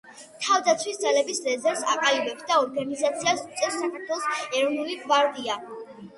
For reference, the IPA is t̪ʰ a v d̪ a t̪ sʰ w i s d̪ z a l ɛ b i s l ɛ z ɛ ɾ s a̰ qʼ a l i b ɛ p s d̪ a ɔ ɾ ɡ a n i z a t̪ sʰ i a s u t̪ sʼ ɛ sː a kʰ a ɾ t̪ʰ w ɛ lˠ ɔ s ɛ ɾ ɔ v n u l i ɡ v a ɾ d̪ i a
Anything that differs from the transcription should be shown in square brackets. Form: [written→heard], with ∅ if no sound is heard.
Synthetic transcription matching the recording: t̪ʰ a v d̪ a t̪ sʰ w i s d̪ z a l ɛ b i s l ɛ z ɛ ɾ s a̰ qʼ a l i b ɛ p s d̪ a ɔ ɾ ɡ a n i z a t̪ sʰ i a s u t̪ sʼ ɛ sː a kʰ a ɾ t̪ʰ w ɛ lˠ ɔ s ɛ ɾ ɔ v n u l i ɡ v a ɾ d̪ i a